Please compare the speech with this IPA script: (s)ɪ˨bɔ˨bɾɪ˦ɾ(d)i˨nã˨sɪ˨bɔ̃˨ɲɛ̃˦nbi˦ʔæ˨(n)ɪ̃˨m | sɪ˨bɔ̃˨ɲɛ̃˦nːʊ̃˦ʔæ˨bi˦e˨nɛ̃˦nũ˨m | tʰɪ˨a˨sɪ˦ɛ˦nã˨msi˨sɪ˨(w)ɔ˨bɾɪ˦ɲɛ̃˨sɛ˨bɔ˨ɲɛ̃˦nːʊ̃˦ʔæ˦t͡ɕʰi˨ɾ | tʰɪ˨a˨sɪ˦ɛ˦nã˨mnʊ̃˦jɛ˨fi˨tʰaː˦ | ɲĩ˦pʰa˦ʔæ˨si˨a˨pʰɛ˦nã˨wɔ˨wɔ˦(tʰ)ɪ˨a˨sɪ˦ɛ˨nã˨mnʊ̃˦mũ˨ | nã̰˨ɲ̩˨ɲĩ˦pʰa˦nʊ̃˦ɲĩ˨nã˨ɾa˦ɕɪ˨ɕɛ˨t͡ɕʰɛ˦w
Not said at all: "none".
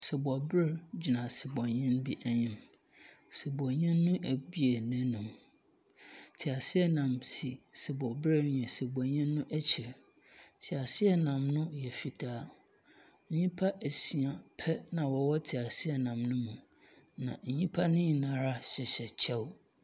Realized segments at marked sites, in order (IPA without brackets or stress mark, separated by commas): s, d͡ʑ, ɲ, b, tʰ